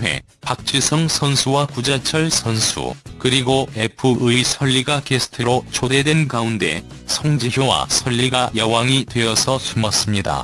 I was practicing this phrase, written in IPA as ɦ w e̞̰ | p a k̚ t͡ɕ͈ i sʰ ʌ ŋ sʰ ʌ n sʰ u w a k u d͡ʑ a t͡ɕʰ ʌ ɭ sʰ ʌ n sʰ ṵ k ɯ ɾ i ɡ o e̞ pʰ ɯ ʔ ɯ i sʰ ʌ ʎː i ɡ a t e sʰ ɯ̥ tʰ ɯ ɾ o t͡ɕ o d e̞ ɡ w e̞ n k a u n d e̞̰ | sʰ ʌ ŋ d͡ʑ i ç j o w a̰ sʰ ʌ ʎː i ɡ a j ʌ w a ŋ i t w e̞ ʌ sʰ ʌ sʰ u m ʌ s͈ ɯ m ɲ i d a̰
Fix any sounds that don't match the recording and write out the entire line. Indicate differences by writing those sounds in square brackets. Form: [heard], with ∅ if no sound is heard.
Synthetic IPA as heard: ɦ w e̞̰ | p a k̚ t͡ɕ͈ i sʰ ʌ ŋ sʰ ʌ n sʰ u w a k u d͡ʑ a t͡ɕʰ ʌ ɭ sʰ ʌ n sʰ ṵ k ɯ ɾ i ɡ o e̞ pʰ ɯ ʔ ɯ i sʰ ʌ ʎː i ɡ a [k] e sʰ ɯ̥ tʰ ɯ ɾ o t͡ɕ o d e̞ [d] w e̞ n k a u n d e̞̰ | sʰ ʌ ŋ d͡ʑ i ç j o w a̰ sʰ ʌ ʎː i ɡ a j ʌ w a ŋ i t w e̞ ʌ sʰ ʌ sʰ u m ʌ s͈ ɯ m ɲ i d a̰

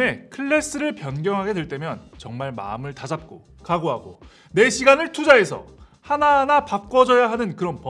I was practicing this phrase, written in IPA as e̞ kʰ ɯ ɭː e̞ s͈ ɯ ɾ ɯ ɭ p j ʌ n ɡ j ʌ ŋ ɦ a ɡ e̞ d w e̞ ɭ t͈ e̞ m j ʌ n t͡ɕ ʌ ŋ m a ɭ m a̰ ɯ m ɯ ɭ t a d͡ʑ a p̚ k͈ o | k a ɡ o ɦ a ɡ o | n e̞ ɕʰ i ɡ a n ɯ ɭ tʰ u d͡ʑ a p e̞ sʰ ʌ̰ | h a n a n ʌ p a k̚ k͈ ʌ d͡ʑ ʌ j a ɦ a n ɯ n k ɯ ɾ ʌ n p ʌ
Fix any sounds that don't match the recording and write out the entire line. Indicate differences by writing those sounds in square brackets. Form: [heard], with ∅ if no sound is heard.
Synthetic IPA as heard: e̞ kʰ ɯ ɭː e̞ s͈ ɯ ɾ ɯ ɭ p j ʌ n ɡ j ʌ ŋ ɦ a ɡ e̞ d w e̞ ɭ t͈ e̞ m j ʌ n t͡ɕ ʌ ŋ m a ɭ m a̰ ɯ m ɯ ɭ t a d͡ʑ a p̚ k͈ o | k a ɡ o ɦ a ɡ o | n e̞ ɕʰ i ɡ a n ɯ ɭ tʰ u d͡ʑ a [∅] e̞ sʰ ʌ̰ | h a n a n [a] p a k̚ k͈ ʌ d͡ʑ ʌ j a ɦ a n ɯ n k ɯ ɾ ʌ n p ʌ

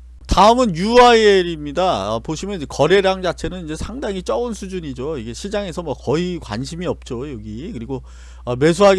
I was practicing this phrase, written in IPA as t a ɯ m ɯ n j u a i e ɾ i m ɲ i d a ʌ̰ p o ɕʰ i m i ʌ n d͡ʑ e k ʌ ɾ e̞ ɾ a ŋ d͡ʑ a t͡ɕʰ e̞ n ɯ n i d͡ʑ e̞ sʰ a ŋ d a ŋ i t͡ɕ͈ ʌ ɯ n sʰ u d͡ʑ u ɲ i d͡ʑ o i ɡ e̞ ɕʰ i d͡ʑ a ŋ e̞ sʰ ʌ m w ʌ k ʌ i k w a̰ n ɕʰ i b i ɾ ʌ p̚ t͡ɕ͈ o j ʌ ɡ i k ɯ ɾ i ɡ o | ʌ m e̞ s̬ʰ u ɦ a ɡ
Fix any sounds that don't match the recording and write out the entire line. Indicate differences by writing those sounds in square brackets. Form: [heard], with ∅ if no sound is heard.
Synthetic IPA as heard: t a ɯ m ɯ n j u a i e ɾ i m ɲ i d a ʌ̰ p o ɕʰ i m [j] ʌ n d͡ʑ e k ʌ ɾ e̞ ɾ a ŋ d͡ʑ a t͡ɕʰ e̞ n ɯ n i d͡ʑ e̞ sʰ a ŋ d a ŋ i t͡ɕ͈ ʌ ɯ n sʰ u d͡ʑ u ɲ i d͡ʑ o i ɡ e̞ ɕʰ i d͡ʑ a ŋ e̞ sʰ ʌ m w ʌ k ʌ i k w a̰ n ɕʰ i [m] i [∅] ʌ p̚ t͡ɕ͈ o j ʌ ɡ i k ɯ ɾ i ɡ o | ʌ m e̞ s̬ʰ u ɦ a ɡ

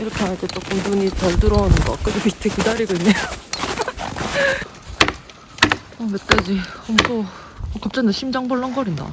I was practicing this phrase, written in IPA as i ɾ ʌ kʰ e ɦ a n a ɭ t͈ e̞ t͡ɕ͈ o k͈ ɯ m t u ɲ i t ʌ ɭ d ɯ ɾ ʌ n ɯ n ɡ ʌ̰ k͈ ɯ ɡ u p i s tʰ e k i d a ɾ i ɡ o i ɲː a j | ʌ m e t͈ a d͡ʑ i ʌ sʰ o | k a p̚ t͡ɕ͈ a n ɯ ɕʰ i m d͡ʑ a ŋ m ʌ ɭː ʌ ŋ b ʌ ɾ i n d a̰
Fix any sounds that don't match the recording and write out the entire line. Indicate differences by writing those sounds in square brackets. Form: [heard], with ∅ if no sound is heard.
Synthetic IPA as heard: i ɾ ʌ kʰ e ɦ a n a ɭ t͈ e̞ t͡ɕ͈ o k͈ ɯ m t u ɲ i t ʌ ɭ d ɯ ɾ ʌ n ɯ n ɡ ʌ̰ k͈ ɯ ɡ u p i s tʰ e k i d a ɾ i ɡ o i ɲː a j | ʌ m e t͈ a d͡ʑ i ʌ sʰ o | k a p̚ t͡ɕ͈ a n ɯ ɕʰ i m d͡ʑ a ŋ [b] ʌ ɭː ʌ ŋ [ɡ] ʌ ɾ i n d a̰

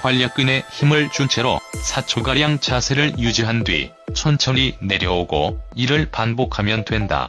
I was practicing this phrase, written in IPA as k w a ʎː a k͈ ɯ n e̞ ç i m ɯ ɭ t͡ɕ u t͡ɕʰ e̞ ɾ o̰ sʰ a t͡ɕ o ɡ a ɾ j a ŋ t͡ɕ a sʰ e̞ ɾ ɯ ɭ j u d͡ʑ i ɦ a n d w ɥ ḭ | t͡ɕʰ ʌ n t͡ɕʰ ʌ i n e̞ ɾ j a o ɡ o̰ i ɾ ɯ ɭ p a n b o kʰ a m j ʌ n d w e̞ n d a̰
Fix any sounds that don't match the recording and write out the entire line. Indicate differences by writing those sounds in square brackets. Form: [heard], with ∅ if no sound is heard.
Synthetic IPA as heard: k w a ʎː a k͈ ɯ n e̞ ç i m ɯ ɭ t͡ɕ u t͡ɕʰ e̞ ɾ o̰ sʰ a [t͡ɕʰ] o ɡ a ɾ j a ŋ t͡ɕ a sʰ e̞ ɾ ɯ ɭ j u d͡ʑ i ɦ a n d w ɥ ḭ | t͡ɕʰ ʌ n t͡ɕʰ ʌ i n e̞ ɾ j [ʌ] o ɡ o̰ i ɾ ɯ ɭ p a n b o kʰ a m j ʌ n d w e̞ n d a̰

